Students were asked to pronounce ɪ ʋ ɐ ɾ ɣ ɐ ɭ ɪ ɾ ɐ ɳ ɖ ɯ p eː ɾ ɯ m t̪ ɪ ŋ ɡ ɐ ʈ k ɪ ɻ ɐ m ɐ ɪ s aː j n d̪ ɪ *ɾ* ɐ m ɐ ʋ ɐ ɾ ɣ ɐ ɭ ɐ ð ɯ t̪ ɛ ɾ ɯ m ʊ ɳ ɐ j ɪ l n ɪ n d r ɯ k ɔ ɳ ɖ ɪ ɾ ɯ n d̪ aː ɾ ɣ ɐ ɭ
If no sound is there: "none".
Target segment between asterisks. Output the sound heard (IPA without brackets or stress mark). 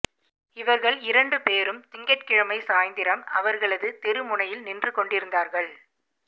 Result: ɾ